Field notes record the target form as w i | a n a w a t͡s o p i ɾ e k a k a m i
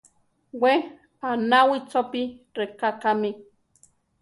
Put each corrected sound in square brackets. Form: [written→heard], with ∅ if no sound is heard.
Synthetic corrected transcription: w [i→e] | a n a w [a→i] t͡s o p i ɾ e k a k a m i